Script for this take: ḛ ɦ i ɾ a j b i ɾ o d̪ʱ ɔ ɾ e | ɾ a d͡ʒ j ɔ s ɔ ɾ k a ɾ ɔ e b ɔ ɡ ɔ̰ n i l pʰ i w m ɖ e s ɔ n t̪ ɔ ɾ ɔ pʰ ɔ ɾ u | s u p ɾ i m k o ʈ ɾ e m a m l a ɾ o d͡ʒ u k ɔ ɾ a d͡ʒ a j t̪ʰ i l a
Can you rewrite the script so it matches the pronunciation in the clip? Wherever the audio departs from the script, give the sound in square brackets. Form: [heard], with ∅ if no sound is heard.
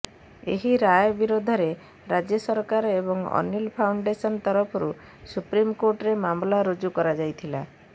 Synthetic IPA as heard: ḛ ɦ i ɾ a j b i ɾ o d̪ʱ ɔ ɾ e | ɾ a d͡ʒ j ɔ s ɔ ɾ k a ɾ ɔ e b ɔ [ŋ] ɔ̰ n i l pʰ [a] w [ɳ] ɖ e s ɔ n t̪ ɔ ɾ ɔ pʰ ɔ ɾ u | s u p ɾ i m k o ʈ ɾ e m a m l a ɾ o d͡ʒ u k ɔ ɾ a d͡ʒ a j t̪ʰ i l a